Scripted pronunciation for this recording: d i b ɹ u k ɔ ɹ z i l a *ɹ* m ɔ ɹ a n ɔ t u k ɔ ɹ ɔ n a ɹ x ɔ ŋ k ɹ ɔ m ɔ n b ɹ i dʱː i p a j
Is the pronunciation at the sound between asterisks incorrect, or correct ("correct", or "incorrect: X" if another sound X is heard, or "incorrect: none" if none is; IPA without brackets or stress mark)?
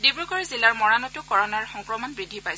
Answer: correct